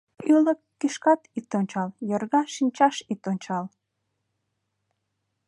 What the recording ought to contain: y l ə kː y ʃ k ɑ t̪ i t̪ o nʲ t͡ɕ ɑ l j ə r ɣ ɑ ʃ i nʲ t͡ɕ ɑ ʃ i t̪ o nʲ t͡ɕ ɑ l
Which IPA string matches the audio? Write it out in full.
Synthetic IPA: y l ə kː i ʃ k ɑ t̪ i t̪ o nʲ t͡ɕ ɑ l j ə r ɣ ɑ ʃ i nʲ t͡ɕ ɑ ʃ i t̪ o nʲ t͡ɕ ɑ l

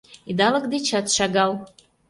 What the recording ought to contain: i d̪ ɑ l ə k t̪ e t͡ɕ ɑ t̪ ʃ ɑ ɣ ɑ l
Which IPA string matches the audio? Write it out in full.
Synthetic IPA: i d̪ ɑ l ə k d̪ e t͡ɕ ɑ t̪ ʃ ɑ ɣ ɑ l

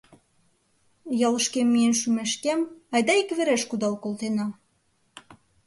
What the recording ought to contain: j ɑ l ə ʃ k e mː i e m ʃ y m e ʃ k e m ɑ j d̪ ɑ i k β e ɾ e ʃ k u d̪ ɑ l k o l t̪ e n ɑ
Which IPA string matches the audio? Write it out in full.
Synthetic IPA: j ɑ l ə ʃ k e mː i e n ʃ y m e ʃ k e m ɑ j d̪ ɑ i k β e ɾ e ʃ k u d̪ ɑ l k o l t̪ e n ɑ

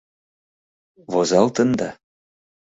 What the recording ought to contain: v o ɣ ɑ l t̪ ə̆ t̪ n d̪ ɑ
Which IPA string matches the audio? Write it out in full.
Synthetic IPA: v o z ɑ l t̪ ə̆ n d̪ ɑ

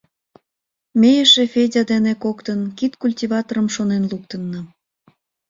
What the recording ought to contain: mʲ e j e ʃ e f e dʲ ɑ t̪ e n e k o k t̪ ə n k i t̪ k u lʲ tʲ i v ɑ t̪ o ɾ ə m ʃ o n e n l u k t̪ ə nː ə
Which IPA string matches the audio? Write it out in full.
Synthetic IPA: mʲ e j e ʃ e f e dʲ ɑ d̪ e n e k o k t̪ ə n k i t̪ k u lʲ tʲ i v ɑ t̪ o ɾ ə m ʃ o n e n l u k t̪ ə nː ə

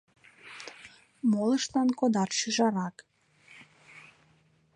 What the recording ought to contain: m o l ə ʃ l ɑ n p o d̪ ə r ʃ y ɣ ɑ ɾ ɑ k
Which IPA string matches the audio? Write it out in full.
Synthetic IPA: m o l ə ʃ l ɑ n k o d̪ ɑ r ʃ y ʒ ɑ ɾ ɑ k

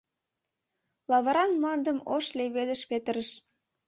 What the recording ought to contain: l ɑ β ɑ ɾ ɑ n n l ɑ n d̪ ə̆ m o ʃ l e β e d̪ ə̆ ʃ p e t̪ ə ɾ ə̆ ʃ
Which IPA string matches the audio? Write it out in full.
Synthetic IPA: l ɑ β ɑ ɾ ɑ n m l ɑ n d̪ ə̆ m o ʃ l e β e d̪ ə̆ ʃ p e t̪ ə ɾ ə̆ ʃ

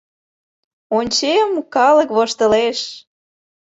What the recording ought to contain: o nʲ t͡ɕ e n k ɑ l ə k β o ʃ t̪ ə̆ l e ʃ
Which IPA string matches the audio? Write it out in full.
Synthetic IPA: o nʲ t͡ɕ e m k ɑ l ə k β o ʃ t̪ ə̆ l e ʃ

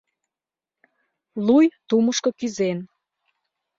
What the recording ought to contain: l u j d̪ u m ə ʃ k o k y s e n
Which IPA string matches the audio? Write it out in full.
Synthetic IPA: l u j t̪ u m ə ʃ k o k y z e n

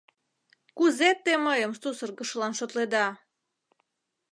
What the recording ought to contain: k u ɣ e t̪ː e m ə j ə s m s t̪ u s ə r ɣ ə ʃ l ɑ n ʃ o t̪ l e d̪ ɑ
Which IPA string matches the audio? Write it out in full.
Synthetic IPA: k u z e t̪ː e m ə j ə m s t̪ u s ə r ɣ ə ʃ l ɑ n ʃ o t̪ l e d̪ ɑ

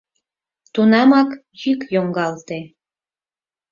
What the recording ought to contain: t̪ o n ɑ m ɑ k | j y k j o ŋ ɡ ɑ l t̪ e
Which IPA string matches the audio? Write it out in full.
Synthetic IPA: t̪ u n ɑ m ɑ k | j y k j o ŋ ɡ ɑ l t̪ e

